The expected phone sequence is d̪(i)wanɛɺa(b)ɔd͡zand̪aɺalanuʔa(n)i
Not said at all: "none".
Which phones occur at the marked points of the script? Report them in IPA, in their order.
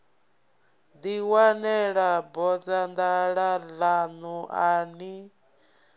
i, b, n

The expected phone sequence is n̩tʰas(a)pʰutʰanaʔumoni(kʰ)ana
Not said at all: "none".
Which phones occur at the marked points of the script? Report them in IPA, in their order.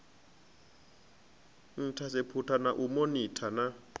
e, tʰ

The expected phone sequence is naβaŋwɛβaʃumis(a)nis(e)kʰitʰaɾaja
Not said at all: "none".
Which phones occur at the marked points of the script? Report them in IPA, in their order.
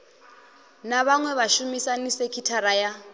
a, e

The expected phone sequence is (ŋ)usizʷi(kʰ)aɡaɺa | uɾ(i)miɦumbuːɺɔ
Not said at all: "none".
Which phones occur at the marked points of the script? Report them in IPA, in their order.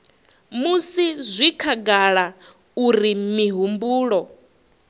m, kʰ, i

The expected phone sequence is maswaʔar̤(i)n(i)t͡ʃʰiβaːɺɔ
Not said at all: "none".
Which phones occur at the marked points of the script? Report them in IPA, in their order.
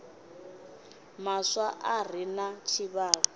i, a

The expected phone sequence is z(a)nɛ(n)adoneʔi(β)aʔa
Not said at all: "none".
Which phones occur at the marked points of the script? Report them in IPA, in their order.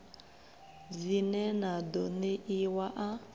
i, n, w

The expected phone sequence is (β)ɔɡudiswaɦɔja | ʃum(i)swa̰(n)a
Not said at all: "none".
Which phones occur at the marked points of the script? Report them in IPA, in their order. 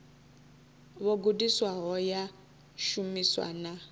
β, i, n

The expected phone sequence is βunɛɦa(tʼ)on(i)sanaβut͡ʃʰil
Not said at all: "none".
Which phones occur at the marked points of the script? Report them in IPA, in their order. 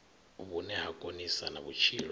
kʼ, i

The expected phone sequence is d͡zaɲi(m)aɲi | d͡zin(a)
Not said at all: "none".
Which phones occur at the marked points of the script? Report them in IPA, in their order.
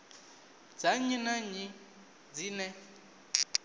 n, ɛ

